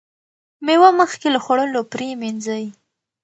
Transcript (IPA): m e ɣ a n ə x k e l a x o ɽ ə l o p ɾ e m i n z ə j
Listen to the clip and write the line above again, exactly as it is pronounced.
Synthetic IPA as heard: m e w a m ə x k e l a x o ɽ ə l o p ɾ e m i n z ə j